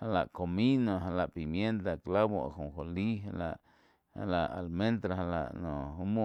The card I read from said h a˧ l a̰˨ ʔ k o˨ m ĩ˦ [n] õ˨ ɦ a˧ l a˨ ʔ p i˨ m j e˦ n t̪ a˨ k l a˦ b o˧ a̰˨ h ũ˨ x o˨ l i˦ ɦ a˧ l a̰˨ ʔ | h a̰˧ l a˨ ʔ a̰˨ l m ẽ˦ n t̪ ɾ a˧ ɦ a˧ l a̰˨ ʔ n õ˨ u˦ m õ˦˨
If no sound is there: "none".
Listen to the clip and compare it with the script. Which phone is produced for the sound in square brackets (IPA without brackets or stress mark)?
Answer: n